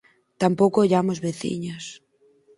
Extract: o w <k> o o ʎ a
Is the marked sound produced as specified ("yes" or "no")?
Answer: yes